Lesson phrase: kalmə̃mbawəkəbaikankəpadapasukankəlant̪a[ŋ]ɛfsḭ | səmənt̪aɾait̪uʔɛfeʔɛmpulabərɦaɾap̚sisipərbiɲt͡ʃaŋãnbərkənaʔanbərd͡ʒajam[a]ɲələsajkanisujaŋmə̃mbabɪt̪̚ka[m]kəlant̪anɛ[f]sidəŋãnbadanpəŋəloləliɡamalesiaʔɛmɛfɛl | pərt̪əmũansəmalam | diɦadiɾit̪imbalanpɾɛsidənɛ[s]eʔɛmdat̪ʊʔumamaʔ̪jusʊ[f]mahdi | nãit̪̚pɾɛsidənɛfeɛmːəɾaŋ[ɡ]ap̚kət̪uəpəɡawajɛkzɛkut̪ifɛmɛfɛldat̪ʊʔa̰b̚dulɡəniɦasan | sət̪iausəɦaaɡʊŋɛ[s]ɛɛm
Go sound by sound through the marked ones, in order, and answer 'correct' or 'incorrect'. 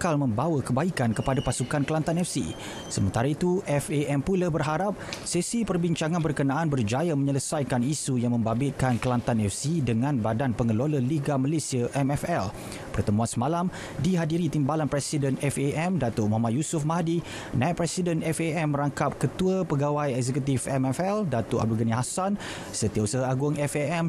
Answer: incorrect: n, incorrect: ə, incorrect: n, correct, incorrect: f, correct, incorrect: k, incorrect: f

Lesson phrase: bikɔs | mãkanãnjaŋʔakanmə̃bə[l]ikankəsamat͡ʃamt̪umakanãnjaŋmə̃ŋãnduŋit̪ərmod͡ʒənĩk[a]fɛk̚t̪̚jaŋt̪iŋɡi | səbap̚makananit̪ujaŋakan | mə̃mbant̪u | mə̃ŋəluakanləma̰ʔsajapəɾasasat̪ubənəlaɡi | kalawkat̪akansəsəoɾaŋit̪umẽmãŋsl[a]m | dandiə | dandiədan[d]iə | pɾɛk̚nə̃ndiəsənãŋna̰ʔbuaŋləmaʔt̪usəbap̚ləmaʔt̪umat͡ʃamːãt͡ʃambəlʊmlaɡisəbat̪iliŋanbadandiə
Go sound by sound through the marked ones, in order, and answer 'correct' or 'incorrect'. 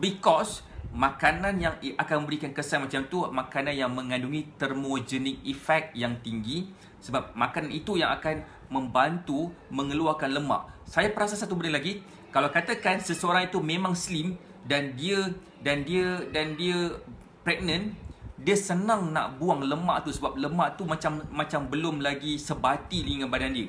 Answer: incorrect: ɾ, incorrect: i, incorrect: i, correct

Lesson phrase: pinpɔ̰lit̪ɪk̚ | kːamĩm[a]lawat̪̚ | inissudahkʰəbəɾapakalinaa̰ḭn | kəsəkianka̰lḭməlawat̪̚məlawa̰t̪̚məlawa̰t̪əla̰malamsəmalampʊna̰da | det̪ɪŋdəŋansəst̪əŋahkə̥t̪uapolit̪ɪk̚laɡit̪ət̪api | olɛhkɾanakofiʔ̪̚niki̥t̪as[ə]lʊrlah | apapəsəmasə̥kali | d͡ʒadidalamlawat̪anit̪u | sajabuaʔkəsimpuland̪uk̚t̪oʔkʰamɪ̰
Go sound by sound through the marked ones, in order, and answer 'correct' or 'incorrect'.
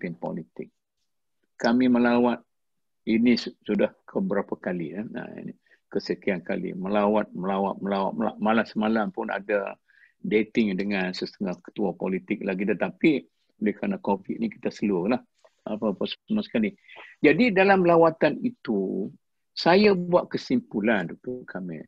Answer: incorrect: ə, correct

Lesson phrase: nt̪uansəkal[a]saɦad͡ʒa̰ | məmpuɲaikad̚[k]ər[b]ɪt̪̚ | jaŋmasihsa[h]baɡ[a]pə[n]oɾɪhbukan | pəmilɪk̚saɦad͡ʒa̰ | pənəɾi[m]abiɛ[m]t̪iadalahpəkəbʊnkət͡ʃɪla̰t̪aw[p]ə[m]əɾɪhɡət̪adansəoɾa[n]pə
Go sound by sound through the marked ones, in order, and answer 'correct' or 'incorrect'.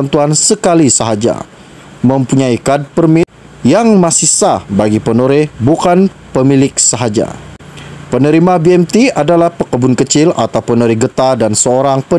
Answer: incorrect: i, incorrect: p, incorrect: m, correct, incorrect: i, correct, correct, correct, correct, incorrect: n, incorrect: ŋ

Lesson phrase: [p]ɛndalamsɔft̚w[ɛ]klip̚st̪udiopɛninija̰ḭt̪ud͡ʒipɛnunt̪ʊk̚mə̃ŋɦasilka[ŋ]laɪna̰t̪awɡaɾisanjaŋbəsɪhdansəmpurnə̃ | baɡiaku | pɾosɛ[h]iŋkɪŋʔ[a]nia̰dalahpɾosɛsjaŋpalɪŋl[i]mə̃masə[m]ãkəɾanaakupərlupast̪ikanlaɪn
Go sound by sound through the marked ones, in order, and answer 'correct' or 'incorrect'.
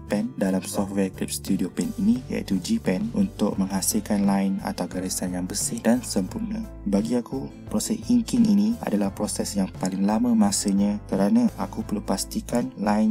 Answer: correct, correct, incorrect: n, incorrect: s, incorrect: i, incorrect: a, incorrect: ɲ

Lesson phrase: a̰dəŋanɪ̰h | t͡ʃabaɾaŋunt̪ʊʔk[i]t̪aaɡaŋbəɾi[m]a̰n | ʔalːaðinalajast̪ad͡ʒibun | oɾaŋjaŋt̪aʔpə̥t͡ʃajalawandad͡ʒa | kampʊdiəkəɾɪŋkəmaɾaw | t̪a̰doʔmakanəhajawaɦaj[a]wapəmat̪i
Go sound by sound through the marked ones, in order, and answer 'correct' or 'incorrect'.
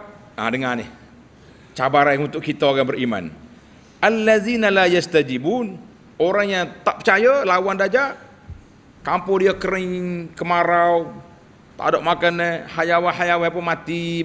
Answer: correct, correct, correct

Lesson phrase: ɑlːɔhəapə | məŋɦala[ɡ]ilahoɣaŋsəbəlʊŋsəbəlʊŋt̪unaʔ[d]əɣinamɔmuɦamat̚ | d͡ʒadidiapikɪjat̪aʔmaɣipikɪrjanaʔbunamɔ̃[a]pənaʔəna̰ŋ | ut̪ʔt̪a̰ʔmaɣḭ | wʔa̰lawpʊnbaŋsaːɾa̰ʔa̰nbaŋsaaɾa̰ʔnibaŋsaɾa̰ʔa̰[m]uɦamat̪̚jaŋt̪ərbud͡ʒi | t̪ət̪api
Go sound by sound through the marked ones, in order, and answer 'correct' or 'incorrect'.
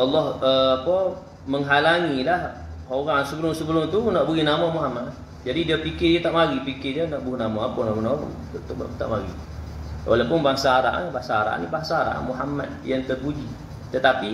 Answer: incorrect: ŋ, incorrect: b, correct, correct

